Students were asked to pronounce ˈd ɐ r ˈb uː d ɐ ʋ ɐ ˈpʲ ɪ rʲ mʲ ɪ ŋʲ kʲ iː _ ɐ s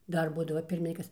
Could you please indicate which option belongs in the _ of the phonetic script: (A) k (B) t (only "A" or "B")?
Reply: A